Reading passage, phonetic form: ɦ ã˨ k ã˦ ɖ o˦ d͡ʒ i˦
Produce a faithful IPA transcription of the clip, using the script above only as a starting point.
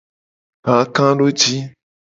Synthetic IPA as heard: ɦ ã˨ k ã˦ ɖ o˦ d͡ʒ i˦